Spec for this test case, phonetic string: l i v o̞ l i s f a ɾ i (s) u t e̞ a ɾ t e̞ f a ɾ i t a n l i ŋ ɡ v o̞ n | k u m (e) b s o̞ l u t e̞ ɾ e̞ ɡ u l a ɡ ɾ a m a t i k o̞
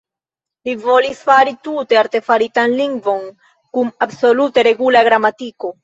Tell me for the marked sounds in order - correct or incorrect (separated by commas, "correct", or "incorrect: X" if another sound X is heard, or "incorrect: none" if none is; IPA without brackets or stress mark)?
incorrect: t, incorrect: a